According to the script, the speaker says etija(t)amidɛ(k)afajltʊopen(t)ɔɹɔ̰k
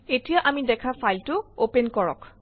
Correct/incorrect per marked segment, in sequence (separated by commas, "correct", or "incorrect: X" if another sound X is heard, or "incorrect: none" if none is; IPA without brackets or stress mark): incorrect: ʔ, incorrect: kʰ, incorrect: k